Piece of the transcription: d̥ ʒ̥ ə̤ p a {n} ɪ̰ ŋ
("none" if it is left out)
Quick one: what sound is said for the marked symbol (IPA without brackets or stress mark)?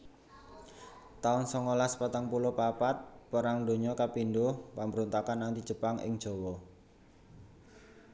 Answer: ŋ